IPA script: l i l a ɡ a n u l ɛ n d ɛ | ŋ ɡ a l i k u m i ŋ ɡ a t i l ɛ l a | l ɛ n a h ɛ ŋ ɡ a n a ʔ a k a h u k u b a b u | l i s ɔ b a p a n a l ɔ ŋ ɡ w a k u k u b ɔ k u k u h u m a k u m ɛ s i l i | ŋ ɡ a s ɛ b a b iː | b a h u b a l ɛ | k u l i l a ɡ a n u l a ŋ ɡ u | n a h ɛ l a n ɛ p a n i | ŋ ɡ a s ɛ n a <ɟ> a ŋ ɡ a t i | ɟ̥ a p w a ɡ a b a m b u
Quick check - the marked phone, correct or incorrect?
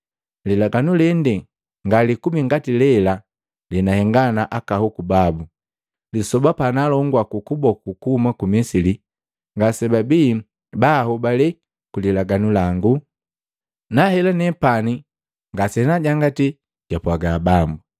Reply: correct